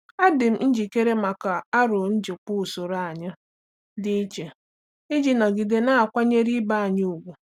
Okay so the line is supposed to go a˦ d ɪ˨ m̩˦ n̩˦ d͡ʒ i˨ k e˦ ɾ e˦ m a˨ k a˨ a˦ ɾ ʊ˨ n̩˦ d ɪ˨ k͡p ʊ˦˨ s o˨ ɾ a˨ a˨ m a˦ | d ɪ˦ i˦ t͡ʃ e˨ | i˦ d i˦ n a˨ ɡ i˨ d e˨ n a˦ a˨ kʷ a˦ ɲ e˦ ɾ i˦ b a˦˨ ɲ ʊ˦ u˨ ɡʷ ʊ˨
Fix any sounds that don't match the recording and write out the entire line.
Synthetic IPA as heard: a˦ d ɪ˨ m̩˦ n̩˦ d͡ʒ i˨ k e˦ ɾ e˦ m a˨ k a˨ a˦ ɾ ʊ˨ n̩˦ d͡ʒ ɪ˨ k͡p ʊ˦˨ s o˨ ɾ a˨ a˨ ɲ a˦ | d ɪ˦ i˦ t͡ʃ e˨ | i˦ d͡ʒ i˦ n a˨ ɡ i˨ d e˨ n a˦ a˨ kʷ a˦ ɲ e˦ ɾ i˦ b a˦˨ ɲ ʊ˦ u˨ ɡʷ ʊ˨